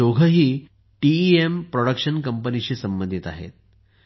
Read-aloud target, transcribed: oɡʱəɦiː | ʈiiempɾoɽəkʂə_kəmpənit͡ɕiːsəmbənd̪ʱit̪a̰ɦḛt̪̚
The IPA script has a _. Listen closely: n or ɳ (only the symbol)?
n